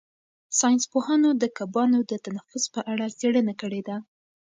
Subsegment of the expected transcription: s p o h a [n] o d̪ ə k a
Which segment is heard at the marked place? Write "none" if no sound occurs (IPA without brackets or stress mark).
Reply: n